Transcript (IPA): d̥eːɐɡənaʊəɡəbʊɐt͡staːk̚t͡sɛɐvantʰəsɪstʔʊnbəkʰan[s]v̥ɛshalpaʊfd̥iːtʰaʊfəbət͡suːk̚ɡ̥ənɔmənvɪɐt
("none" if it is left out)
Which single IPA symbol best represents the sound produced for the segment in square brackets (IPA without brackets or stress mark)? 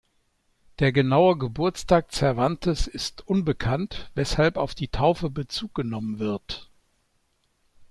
t